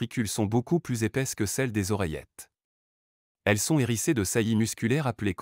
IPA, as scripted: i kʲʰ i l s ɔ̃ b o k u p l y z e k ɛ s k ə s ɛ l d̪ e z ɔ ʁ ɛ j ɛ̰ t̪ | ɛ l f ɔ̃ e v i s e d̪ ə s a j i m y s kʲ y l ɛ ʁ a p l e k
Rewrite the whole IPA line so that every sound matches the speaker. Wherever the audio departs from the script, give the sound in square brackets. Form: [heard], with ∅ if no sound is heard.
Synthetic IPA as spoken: i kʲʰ [y] l s ɔ̃ b o k u p l y z e [p] ɛ s k ə s ɛ l d̪ e z ɔ ʁ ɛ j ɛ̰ t̪ | ɛ l [s] ɔ̃ e [ʁ] i s e d̪ ə s a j i m y s kʲ y l ɛ ʁ a p l e k